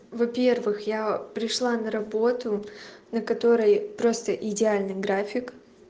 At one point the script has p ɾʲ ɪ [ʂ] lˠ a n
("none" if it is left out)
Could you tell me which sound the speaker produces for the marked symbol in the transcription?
ʂ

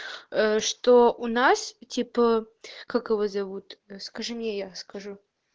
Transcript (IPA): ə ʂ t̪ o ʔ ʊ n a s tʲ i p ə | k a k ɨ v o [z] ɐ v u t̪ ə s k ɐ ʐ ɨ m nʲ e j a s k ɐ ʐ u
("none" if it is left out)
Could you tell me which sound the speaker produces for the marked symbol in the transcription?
z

